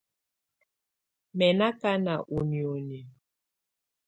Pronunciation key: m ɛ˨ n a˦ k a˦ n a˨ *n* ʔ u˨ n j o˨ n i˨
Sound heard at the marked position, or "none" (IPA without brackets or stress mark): none